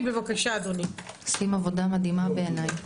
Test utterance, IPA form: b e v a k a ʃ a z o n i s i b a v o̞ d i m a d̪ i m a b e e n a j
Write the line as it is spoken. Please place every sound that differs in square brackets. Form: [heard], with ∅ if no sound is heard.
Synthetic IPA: b e v a k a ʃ a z o n i s i [m] a v o̞ d [a] m a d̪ i m a b e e n a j